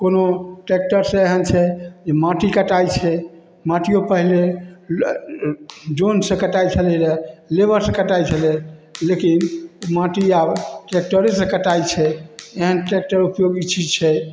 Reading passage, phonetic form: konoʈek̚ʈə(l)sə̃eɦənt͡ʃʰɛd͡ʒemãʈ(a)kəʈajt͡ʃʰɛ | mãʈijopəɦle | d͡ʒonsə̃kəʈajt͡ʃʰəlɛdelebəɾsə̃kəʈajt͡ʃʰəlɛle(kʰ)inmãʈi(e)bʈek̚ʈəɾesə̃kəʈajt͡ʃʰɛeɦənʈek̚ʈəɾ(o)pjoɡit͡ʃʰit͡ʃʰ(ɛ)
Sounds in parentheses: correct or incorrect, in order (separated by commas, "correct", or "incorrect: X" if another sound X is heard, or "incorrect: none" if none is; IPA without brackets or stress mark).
incorrect: ɾ, incorrect: i, incorrect: k, incorrect: a, incorrect: u, correct